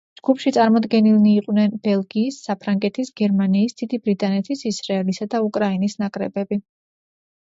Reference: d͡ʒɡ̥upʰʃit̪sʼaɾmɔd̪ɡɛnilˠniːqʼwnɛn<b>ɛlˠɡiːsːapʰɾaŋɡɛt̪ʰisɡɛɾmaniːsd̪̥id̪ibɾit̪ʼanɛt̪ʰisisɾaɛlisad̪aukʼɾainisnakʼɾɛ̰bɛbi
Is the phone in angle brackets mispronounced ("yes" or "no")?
no